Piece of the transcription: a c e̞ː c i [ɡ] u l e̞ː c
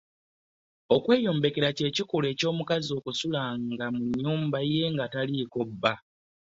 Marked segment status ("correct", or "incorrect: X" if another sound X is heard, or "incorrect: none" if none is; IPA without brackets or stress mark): incorrect: k